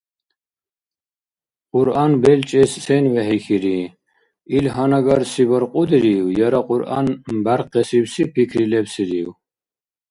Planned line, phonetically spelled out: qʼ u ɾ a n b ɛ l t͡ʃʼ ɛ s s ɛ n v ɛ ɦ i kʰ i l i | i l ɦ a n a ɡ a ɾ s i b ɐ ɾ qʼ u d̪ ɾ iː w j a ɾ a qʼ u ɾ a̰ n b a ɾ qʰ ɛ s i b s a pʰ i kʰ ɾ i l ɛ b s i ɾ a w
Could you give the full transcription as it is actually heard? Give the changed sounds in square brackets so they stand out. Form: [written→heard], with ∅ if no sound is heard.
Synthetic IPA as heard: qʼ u ɾ a n b ɛ l t͡ʃʼ ɛ s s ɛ n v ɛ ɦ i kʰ i [l→ɾ] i | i l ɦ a n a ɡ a ɾ s i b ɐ ɾ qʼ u d̪ ɾ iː w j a ɾ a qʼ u ɾ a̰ n b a ɾ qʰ ɛ s i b s [a→i] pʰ i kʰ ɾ i l ɛ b s i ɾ [a→i] w